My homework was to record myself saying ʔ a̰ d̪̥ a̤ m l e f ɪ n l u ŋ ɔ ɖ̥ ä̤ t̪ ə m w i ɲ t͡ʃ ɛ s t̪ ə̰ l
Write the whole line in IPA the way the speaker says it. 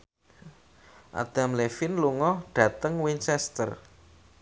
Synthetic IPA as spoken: ʔ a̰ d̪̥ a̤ m l e f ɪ n l u ŋ ɔ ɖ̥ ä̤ t̪ ə ŋ w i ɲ t͡ʃ ɛ s t̪ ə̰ r